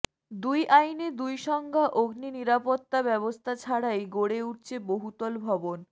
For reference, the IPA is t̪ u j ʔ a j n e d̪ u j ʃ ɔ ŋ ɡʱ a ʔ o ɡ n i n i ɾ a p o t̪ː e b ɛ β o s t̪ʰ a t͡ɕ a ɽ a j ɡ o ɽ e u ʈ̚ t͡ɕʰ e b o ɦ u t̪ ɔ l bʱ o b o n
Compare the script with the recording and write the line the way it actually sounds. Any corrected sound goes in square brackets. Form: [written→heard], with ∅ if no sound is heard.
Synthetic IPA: [t̪→d̪] u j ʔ a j n e d̪ u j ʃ ɔ ŋ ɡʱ a ʔ o ɡ n i n i ɾ a p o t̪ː [e→a] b ɛ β o s t̪ʰ a [t͡ɕ→t͡ɕʰ] a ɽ a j ɡ o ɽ e u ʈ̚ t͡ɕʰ e b o ɦ u t̪ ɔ l bʱ [o→ɔ] b o n